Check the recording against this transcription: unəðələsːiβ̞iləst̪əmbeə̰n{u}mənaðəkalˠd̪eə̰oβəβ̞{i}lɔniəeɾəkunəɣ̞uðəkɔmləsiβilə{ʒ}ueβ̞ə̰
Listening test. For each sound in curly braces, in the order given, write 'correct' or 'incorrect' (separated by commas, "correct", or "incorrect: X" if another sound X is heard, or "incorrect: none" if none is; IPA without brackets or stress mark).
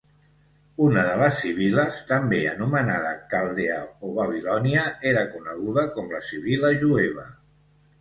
correct, correct, correct